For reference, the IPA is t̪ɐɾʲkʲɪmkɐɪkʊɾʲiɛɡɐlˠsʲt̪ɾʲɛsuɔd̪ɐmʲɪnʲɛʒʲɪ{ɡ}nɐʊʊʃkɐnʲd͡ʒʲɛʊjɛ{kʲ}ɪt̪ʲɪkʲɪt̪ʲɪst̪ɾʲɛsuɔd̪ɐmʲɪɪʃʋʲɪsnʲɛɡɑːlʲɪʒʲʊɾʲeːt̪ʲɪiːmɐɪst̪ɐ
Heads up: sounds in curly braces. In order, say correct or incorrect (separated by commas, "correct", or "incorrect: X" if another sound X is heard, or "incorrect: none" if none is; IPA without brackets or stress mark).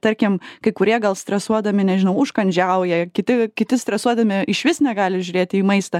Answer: incorrect: none, correct